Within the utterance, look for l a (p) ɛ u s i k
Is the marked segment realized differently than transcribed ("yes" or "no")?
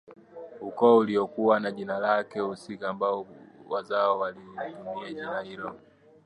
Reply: yes